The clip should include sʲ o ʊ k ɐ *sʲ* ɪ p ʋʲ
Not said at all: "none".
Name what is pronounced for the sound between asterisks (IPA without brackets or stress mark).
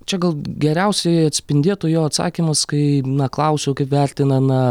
none